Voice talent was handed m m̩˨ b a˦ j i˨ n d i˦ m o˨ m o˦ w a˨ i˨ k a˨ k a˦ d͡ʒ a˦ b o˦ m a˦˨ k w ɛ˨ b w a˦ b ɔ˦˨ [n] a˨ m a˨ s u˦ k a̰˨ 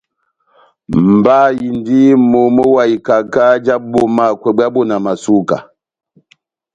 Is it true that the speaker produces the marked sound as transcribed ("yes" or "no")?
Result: yes